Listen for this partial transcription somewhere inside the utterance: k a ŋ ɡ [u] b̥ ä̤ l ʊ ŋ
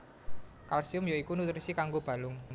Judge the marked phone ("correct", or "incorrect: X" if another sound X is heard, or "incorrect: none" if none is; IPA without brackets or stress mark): incorrect: o